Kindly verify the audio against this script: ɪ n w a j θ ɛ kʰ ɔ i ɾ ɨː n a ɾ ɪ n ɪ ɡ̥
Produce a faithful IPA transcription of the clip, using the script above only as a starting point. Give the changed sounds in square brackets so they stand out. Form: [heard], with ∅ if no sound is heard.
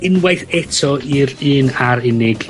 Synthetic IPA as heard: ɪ n w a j θ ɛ [tʰ] ɔ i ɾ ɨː n a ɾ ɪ n ɪ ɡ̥